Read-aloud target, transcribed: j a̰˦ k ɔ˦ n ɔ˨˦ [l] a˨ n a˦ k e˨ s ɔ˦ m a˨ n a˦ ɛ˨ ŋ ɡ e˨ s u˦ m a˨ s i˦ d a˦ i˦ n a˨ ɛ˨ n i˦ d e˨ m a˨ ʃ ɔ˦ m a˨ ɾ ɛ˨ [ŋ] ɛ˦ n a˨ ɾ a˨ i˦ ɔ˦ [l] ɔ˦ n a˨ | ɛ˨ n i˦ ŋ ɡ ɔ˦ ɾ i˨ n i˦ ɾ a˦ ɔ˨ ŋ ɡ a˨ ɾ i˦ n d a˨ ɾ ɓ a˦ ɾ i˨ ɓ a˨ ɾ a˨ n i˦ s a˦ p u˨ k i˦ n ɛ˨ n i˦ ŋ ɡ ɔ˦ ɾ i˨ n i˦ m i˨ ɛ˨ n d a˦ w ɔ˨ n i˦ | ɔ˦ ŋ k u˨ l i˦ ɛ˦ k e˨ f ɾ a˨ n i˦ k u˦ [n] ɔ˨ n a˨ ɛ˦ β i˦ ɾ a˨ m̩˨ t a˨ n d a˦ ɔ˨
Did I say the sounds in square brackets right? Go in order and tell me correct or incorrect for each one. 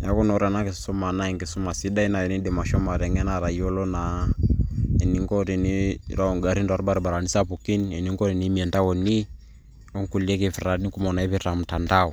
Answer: incorrect: ɾ, correct, correct, incorrect: m

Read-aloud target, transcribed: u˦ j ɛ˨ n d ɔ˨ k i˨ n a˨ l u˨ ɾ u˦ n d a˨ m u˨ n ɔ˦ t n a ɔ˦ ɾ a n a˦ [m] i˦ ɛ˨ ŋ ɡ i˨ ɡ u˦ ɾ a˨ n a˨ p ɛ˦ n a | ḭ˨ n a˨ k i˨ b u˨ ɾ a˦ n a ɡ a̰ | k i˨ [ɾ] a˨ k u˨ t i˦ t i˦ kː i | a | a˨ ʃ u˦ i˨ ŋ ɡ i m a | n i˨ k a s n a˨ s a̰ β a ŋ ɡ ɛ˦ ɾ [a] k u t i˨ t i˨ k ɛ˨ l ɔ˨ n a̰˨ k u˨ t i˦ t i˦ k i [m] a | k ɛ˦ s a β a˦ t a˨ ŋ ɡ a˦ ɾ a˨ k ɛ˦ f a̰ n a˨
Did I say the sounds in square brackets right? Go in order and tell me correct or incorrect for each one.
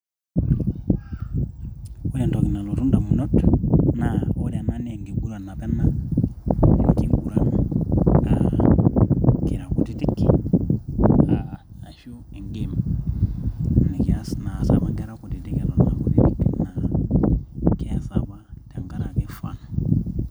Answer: incorrect: n, correct, correct, incorrect: n

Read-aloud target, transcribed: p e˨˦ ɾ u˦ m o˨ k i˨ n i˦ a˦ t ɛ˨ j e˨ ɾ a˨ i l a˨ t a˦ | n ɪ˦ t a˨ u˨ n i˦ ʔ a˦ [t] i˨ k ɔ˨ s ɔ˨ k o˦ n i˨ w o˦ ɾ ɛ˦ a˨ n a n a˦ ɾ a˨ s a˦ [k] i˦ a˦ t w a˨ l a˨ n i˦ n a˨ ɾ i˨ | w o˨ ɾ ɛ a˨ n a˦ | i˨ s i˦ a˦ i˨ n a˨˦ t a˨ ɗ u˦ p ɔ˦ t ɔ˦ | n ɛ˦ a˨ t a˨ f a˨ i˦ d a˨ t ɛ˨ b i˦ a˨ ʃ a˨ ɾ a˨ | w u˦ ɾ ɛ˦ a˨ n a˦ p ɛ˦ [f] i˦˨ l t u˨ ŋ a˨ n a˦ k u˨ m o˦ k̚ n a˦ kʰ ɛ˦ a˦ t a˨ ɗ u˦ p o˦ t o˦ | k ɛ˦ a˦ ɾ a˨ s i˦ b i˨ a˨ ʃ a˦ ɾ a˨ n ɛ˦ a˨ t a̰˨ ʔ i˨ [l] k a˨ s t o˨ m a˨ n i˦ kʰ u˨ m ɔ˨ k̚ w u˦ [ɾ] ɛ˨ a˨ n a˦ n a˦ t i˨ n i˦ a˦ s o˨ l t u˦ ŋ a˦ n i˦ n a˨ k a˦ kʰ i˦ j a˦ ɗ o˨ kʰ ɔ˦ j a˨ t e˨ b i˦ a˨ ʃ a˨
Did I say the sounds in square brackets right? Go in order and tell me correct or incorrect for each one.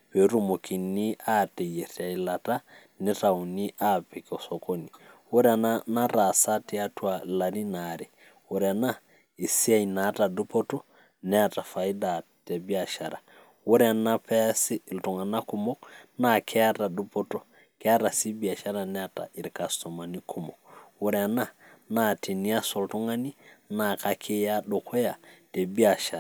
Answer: incorrect: p, incorrect: t, incorrect: s, incorrect: ɾ, correct

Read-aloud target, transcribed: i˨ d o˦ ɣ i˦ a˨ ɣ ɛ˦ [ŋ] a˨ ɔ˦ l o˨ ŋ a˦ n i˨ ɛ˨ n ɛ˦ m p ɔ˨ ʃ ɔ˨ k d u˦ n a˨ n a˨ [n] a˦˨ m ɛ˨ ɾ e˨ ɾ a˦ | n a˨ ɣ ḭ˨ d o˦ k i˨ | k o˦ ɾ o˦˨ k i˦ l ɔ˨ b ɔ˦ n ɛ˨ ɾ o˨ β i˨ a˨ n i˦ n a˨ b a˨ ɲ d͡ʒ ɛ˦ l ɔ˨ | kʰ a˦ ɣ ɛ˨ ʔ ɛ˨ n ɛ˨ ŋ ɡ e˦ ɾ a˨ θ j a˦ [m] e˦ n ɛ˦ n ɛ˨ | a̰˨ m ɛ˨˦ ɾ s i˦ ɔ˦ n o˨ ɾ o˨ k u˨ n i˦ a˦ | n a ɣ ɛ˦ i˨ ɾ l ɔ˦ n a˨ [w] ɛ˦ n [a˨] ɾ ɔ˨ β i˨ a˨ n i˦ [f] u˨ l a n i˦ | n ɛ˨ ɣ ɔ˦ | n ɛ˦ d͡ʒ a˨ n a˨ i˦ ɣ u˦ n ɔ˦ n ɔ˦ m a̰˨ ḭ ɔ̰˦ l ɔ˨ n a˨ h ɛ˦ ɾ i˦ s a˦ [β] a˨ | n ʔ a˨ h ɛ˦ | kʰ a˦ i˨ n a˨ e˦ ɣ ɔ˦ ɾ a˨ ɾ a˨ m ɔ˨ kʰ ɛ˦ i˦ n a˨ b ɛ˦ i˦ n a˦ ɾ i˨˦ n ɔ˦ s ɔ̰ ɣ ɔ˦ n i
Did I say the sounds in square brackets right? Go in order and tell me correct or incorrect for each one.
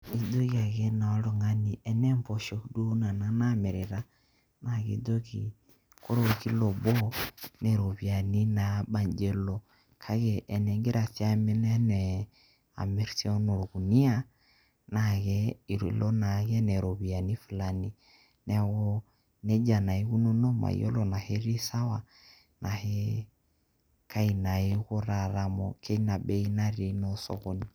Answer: incorrect: n, correct, correct, incorrect: ɣ, incorrect: ɛ˨, correct, incorrect: w

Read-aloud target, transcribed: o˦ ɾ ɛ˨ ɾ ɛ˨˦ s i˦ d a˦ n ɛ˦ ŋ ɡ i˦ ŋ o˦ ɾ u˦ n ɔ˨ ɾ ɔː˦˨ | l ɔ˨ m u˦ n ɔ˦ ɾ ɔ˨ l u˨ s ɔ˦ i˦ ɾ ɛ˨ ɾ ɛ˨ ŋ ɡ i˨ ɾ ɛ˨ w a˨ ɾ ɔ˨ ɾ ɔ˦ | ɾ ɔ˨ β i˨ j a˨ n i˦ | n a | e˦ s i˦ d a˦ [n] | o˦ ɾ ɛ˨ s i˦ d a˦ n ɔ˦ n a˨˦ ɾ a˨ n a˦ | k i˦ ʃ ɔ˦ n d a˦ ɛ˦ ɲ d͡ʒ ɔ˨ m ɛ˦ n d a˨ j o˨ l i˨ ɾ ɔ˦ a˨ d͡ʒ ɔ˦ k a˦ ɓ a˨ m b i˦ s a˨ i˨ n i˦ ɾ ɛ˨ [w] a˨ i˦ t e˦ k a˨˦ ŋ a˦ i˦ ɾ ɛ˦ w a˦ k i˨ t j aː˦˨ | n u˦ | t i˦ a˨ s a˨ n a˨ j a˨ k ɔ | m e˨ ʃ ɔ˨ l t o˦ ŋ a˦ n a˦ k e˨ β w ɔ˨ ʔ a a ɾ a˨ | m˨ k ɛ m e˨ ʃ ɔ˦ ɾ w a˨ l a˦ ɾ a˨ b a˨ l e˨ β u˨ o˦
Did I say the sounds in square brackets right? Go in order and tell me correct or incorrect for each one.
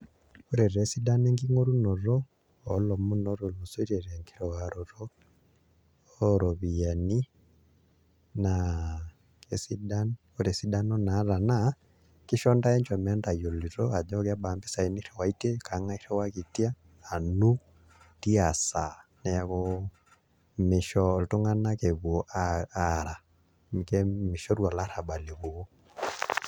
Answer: correct, correct

